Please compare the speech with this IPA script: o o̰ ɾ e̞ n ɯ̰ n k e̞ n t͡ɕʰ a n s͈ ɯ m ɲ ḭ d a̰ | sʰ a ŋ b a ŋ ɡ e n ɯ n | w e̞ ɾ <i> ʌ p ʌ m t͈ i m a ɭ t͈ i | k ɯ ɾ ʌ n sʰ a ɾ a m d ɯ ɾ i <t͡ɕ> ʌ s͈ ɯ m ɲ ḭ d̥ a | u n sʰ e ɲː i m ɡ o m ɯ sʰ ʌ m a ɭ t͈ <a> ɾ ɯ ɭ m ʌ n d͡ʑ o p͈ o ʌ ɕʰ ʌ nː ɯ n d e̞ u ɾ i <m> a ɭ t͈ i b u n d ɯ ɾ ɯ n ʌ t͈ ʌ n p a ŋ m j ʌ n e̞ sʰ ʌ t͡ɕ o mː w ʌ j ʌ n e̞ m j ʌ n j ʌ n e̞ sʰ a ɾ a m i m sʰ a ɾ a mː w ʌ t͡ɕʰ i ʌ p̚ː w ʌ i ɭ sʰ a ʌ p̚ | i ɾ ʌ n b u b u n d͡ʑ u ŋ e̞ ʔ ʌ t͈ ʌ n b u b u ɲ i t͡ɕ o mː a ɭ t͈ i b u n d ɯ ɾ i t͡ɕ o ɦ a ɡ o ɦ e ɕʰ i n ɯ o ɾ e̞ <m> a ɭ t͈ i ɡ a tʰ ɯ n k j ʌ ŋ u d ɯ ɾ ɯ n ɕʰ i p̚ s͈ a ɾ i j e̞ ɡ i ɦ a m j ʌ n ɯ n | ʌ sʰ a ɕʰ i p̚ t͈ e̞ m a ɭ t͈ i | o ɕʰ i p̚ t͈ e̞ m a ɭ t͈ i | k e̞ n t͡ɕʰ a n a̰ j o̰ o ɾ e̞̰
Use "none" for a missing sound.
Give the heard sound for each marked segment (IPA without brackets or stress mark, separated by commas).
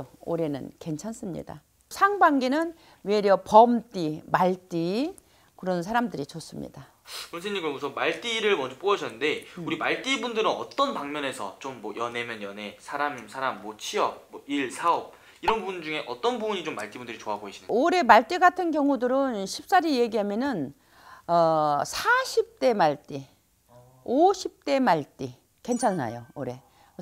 j, t͡ɕ, i, m, m